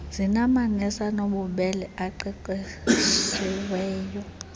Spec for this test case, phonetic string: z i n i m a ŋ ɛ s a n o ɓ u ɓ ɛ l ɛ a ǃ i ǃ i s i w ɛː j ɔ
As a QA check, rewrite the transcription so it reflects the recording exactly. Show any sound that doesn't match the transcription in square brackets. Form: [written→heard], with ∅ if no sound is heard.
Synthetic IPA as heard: z i n [i→a] m a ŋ ɛ s a n o ɓ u ɓ ɛ l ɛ a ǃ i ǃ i s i w ɛː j ɔ